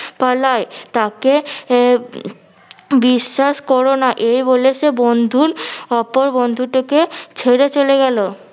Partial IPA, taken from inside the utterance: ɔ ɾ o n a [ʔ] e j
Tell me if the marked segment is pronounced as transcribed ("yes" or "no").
yes